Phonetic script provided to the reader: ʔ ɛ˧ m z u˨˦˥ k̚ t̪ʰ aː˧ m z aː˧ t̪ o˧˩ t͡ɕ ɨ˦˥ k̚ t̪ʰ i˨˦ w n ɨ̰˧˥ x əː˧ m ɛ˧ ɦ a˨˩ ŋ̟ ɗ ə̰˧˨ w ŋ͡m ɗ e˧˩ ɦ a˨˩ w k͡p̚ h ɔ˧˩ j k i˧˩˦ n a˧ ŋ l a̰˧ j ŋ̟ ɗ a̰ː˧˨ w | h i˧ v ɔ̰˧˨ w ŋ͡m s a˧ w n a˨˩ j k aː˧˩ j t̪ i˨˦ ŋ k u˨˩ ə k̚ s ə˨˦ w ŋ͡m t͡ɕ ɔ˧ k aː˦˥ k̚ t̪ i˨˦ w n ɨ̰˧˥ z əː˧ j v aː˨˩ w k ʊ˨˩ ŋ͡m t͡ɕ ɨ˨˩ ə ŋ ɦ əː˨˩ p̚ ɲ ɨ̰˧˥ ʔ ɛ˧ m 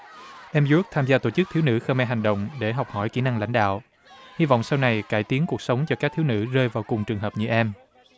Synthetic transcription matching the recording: ʔ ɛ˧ m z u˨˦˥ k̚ t̪ʰ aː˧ m z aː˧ t̪ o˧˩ t͡ɕ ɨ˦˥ k̚ t̪ʰ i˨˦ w n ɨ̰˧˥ x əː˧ m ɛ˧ ɦ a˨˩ ŋ̟ ɗ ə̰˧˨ w ŋ͡m ɗ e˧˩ ɦ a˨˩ w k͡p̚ h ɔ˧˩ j k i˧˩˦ n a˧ ŋ l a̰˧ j ŋ̟ ɗ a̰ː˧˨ w | h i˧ v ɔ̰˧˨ w ŋ͡m s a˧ w n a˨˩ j k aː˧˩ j t̪ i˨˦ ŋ k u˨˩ ə k̚ s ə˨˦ w ŋ͡m t͡ɕ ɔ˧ k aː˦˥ k̚ t̪ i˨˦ w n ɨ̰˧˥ z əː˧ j v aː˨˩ w k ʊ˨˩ ŋ͡m t͡ɕ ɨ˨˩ ə ŋ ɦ əː˨˩ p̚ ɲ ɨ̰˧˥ ʔ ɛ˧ m